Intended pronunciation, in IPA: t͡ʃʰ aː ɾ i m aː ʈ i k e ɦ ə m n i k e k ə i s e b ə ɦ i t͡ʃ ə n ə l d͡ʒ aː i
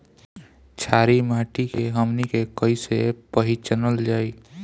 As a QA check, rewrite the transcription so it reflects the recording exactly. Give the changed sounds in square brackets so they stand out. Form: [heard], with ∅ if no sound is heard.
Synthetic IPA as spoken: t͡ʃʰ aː ɾ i m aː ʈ i k e ɦ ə m n i k e k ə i s e [p] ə ɦ i t͡ʃ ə n ə l d͡ʒ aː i